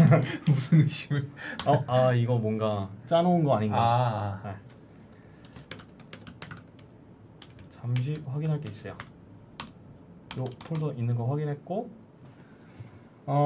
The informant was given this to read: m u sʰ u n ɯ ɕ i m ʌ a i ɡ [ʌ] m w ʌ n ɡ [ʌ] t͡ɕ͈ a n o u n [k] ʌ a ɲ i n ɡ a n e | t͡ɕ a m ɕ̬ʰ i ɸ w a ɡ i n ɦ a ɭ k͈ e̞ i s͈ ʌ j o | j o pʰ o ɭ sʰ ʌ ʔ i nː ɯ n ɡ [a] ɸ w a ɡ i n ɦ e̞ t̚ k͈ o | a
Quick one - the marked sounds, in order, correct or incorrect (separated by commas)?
correct, incorrect, incorrect, incorrect